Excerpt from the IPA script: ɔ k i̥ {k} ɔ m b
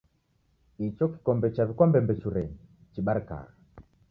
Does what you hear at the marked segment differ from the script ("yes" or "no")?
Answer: no